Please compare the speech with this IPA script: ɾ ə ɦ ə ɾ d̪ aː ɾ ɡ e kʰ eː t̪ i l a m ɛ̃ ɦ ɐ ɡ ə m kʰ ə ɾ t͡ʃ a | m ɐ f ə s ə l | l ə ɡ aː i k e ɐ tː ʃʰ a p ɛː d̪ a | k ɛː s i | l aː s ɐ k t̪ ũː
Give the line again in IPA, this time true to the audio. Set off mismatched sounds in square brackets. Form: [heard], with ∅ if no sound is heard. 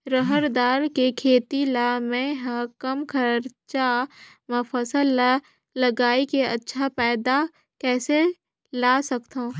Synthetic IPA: ɾ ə ɦ ə ɾ d̪ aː ɾ [k] e kʰ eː t̪ i l a m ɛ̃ ɦ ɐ [k] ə m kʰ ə ɾ t͡ʃ a | m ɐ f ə s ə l | l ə ɡ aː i k e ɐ tː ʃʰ a p ɛː d̪ a | k ɛː s [e] | l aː s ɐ k t̪ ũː